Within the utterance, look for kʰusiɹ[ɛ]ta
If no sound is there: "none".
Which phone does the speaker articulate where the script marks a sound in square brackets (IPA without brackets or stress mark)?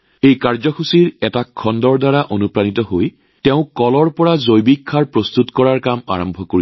ɛ